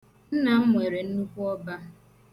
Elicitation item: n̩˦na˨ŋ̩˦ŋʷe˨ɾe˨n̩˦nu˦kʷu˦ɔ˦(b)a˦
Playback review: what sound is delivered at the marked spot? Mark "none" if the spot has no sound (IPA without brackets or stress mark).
b